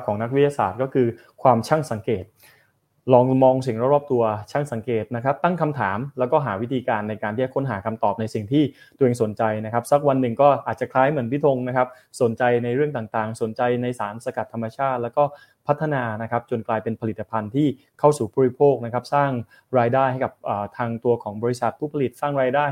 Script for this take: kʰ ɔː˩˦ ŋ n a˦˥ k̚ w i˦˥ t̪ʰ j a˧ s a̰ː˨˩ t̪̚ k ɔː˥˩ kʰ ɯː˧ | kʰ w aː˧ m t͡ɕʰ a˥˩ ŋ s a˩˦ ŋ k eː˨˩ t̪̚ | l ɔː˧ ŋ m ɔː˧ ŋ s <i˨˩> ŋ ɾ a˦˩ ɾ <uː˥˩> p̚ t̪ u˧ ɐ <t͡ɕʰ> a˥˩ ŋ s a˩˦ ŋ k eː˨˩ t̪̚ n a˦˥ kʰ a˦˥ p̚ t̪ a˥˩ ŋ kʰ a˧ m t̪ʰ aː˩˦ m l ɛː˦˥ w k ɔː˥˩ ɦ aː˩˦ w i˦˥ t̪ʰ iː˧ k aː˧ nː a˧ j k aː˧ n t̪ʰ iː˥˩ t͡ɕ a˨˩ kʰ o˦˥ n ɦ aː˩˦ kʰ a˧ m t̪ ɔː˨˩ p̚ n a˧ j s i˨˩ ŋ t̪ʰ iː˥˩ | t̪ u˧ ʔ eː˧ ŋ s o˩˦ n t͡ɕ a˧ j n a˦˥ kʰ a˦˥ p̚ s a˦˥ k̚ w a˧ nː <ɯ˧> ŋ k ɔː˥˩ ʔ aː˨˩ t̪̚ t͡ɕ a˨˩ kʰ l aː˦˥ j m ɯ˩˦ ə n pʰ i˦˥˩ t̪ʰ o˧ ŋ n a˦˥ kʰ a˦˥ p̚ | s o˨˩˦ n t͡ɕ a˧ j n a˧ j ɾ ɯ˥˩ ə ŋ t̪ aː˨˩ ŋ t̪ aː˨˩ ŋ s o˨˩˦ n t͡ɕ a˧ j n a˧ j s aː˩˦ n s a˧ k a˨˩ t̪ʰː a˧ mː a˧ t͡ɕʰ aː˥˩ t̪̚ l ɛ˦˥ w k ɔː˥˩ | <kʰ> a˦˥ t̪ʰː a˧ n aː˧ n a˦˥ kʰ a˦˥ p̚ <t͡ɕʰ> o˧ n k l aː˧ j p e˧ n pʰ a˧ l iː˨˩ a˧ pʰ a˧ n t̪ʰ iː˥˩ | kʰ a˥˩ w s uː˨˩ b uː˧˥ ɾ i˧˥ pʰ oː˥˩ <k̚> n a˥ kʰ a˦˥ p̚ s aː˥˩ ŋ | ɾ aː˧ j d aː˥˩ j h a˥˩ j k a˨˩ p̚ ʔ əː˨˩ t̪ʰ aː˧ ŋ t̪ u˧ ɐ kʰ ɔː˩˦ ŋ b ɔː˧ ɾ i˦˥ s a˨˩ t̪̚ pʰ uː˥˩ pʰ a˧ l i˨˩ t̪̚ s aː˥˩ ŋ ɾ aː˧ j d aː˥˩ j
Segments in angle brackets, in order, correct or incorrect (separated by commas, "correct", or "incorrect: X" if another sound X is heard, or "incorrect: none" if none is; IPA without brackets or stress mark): correct, incorrect: ɔː˥˩, correct, incorrect: ɯ˨˩, incorrect: pʰ, incorrect: t͡ɕ, correct